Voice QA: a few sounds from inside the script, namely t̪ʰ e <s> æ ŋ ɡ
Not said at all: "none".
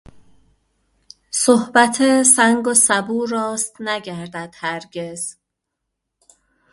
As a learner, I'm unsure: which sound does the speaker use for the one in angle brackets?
s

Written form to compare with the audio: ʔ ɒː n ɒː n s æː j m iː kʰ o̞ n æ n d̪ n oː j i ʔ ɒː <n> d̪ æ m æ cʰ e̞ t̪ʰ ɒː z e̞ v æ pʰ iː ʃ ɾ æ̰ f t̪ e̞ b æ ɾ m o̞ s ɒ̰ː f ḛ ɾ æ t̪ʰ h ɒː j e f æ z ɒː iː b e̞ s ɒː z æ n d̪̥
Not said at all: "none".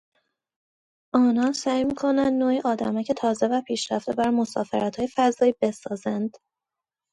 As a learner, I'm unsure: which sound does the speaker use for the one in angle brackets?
none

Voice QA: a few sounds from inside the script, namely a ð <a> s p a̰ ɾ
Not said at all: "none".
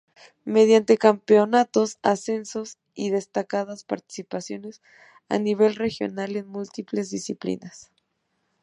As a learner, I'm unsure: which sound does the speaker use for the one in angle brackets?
a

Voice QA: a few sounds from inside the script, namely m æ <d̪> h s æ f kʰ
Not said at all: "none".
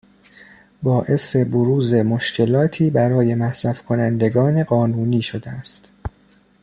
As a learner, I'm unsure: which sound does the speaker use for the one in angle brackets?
none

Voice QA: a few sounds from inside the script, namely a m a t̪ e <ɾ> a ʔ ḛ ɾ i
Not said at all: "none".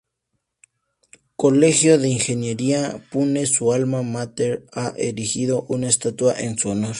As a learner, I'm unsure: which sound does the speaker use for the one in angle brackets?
ɾ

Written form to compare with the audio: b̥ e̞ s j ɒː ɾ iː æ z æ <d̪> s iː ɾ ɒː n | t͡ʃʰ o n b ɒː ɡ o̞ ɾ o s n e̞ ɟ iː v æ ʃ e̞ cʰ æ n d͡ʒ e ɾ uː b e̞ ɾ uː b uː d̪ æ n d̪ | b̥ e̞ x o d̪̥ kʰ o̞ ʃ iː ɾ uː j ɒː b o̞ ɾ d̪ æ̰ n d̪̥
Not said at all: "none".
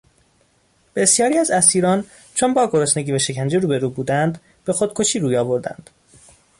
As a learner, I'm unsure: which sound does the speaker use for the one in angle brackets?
none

